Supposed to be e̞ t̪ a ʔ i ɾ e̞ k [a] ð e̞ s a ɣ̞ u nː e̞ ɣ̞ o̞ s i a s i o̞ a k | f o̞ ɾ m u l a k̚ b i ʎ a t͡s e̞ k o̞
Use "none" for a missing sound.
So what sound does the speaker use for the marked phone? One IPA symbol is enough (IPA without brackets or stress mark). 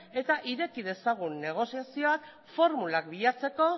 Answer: i